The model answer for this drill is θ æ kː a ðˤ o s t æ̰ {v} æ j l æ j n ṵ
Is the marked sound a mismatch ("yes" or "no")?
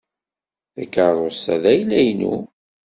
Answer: yes